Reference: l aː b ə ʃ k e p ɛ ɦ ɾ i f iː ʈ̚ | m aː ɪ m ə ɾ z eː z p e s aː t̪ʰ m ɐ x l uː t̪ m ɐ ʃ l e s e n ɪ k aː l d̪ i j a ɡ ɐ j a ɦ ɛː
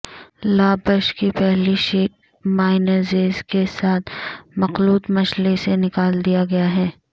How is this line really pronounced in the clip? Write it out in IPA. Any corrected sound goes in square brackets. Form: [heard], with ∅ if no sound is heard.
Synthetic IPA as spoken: l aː b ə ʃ k [i] p ɛ ɦ [l] i [ʃ] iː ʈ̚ | m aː ɪ [n] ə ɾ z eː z [k] e s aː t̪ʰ m ɐ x l uː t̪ m ɐ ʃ l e s e n ɪ k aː l d̪ i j a ɡ ɐ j a ɦ ɛː